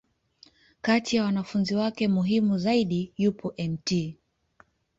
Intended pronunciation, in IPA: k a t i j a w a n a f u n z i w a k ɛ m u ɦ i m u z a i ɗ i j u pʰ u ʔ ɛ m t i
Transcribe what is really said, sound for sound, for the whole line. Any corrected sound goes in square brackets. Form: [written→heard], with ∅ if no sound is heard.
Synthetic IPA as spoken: k a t i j a w a n a f u n z i w a k ɛ m u ɦ i m u z a i ɗ i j u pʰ [u→ɔ] ʔ ɛ m t i